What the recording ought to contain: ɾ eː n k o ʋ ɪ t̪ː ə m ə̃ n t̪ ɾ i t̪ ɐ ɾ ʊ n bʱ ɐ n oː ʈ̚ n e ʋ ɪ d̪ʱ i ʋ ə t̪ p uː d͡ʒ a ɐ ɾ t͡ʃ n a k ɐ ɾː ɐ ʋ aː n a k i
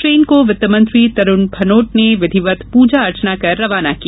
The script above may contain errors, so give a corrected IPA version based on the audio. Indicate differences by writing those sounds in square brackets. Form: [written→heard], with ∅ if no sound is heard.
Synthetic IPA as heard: ɾ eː n k o ʋ ɪ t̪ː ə m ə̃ n t̪ ɾ i t̪ ɐ ɾ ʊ n bʱ ɐ n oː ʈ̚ n e ʋ ɪ d̪ʱ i ʋ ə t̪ p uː d͡ʒ a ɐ ɾ t͡ʃ n a k ɐ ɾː ɐ ʋ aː n a k i